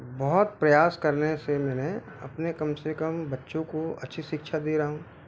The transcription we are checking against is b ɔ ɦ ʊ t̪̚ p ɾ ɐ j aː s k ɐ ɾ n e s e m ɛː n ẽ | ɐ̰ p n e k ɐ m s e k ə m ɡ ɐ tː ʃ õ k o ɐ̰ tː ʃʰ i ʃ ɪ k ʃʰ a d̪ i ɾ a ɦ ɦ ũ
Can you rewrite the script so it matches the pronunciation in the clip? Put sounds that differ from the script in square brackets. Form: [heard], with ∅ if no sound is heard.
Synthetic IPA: b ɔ ɦ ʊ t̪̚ p ɾ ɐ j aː s k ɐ ɾ n e s e m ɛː n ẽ | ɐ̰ p n e k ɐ m s e k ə m [b] ɐ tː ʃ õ k o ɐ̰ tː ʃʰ i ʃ ɪ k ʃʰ a d̪ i ɾ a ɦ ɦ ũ